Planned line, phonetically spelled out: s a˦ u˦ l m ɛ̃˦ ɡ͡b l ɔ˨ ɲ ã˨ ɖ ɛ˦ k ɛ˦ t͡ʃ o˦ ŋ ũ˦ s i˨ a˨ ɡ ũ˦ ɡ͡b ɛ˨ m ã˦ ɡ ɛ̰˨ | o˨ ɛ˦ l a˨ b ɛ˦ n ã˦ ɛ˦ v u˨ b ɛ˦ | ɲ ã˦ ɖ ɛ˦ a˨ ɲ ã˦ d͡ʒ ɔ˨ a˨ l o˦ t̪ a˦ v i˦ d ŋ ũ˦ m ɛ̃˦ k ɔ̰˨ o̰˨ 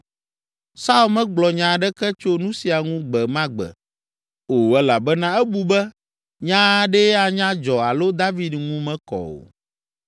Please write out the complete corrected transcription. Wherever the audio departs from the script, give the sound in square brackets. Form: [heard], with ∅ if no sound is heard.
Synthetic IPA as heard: s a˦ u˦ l m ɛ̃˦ ɡ͡b l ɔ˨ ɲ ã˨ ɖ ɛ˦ k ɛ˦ t͡ʃ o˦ [n] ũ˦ s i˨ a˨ [ŋ] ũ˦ ɡ͡b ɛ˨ m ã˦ [ɡ͡b] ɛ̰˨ | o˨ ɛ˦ l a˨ b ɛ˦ n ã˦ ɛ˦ [b] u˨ b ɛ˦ | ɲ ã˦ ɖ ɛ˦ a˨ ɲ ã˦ d͡ʒ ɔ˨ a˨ l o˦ [d̪] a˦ v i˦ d ŋ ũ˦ m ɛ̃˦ k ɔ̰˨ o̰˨

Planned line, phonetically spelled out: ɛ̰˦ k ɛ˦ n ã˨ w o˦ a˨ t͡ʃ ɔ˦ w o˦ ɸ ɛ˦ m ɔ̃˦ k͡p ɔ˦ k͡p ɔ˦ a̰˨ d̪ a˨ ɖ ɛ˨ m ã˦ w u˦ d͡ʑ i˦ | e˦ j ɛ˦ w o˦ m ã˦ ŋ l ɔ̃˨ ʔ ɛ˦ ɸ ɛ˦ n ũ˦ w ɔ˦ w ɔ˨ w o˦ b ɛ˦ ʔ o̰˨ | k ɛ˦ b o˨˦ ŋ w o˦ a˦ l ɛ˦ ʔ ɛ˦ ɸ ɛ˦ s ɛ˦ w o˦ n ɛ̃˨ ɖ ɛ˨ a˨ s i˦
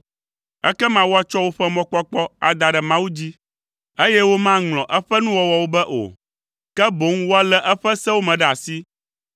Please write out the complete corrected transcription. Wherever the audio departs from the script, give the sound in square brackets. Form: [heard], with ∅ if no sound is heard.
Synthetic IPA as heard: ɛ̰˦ k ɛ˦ [m] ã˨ w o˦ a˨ t͡ʃ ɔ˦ w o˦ ɸ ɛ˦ m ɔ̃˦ k͡p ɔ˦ k͡p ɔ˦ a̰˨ d̪ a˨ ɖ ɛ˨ m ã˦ w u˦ d͡ʑ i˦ | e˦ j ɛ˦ w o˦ m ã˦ ŋ l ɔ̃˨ ʔ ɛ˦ ɸ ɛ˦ n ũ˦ w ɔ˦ w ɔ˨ w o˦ b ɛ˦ ʔ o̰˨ | k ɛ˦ b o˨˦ ŋ w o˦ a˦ l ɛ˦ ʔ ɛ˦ ɸ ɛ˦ s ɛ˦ w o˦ [m] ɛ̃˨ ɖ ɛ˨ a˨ s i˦

